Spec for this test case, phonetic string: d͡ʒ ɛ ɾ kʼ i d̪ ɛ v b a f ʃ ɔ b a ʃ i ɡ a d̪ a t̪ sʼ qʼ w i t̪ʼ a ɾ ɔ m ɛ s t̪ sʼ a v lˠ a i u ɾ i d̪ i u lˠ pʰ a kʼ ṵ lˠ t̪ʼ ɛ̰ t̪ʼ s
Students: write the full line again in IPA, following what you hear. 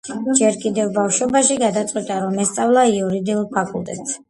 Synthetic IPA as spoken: d͡ʒ ɛ ɾ kʼ i d̪ ɛ v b a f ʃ ɔ b a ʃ i ɡ a d̪ a t̪ sʼ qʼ w i t̪ʼ a ɾ ɔ m ɛ s t̪ sʼ a v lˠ a i u ɾ i d̪ i u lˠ pʰ a kʼ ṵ lˠ t̪ʼ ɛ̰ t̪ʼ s